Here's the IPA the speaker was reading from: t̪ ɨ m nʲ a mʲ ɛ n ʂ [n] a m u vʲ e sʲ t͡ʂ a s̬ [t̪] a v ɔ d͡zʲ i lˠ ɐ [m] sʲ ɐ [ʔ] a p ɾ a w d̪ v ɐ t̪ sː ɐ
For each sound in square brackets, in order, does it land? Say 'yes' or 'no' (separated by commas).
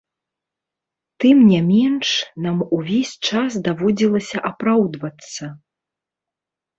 yes, no, no, yes